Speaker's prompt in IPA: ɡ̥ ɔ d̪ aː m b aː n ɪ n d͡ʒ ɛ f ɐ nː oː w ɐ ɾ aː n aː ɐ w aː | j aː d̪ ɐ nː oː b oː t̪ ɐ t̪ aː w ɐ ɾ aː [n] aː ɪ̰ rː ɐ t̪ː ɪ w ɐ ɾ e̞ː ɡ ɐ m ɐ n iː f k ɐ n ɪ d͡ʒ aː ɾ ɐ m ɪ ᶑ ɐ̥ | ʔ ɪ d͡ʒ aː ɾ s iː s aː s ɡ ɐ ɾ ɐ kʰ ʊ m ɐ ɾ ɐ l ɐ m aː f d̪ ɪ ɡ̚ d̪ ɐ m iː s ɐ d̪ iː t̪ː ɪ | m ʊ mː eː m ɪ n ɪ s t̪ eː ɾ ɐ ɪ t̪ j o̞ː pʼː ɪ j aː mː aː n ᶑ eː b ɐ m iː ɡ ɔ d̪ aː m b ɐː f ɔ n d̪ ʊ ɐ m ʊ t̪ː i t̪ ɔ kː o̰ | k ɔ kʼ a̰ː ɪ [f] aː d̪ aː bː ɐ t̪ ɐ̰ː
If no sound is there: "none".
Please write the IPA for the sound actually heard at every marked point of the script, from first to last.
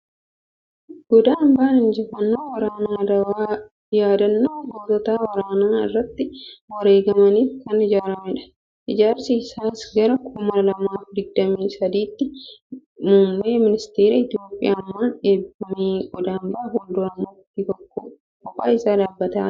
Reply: n, s

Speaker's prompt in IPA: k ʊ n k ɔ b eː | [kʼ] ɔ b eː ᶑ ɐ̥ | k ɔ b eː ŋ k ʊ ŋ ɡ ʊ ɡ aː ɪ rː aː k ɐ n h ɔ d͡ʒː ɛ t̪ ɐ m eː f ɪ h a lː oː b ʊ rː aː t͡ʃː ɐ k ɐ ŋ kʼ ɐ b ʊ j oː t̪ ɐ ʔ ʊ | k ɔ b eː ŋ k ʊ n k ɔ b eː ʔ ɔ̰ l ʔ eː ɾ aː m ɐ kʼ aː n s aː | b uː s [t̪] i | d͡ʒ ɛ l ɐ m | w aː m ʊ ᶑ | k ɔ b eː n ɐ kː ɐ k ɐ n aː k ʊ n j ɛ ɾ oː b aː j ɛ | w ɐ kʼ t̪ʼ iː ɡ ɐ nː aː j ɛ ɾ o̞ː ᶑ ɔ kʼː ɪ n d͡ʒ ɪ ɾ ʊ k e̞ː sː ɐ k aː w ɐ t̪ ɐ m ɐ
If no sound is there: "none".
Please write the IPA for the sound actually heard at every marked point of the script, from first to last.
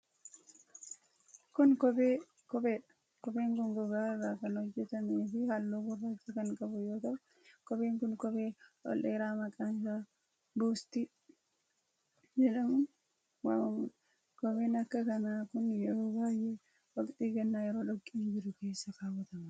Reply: k, t̪

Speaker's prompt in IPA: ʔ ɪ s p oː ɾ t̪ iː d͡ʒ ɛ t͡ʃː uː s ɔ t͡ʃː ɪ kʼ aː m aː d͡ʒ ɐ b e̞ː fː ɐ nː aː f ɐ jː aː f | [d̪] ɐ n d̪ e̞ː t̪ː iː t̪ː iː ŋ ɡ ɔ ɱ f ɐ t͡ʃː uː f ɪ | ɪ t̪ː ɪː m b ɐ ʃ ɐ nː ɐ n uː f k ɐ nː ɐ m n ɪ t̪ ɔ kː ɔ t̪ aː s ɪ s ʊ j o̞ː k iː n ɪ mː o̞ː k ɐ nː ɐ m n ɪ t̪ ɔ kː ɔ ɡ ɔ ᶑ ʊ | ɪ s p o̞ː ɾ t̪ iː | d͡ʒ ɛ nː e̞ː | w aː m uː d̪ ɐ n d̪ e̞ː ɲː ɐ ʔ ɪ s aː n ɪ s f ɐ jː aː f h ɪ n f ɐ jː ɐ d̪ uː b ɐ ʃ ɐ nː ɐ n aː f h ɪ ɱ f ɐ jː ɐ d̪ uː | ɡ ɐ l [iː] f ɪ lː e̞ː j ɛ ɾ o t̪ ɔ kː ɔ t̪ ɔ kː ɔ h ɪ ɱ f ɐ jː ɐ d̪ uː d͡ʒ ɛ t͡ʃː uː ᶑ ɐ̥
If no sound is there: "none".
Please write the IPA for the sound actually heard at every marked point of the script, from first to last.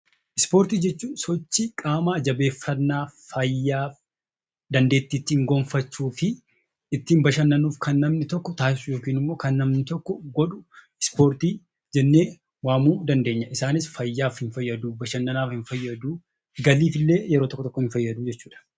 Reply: d̪, iː

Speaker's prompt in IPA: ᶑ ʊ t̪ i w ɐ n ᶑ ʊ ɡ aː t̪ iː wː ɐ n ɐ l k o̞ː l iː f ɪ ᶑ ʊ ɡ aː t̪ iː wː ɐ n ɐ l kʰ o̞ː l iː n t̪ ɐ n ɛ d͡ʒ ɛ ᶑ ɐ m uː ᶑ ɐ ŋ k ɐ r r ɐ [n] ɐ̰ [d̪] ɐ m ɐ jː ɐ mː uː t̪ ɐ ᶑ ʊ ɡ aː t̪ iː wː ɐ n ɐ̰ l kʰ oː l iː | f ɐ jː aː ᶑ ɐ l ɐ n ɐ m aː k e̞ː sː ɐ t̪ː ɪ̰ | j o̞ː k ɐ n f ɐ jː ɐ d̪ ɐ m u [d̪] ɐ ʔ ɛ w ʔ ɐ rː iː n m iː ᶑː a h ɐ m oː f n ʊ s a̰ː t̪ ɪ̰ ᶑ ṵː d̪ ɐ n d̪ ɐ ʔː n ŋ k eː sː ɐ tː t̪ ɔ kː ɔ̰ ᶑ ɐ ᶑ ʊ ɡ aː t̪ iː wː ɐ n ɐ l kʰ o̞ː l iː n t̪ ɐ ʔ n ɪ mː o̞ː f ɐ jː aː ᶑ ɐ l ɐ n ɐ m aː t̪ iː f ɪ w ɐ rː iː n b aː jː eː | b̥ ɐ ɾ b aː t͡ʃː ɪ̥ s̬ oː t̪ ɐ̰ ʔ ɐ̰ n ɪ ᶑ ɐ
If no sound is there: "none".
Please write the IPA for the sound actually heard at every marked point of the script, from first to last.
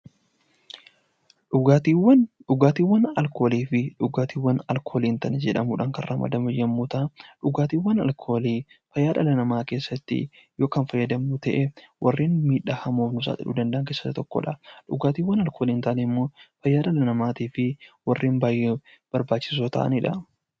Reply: m, d̪, t̪

